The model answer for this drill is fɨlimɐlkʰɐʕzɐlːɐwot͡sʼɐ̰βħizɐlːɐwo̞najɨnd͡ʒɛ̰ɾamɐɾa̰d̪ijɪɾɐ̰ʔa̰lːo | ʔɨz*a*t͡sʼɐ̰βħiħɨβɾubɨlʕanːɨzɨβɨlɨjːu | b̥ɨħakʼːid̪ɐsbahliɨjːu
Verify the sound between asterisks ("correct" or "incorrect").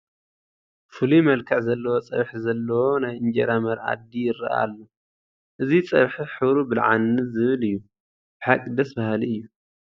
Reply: incorrect